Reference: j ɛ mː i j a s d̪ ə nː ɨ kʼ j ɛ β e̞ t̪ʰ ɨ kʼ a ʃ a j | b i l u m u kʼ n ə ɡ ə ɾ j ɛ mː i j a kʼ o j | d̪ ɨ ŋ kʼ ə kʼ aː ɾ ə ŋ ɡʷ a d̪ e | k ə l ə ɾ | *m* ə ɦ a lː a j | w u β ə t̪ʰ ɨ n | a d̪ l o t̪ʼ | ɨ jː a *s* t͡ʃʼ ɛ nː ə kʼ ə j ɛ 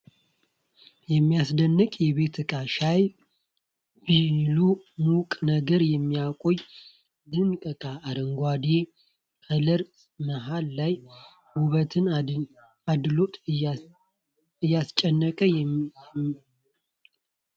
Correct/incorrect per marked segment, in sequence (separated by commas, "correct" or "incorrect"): correct, correct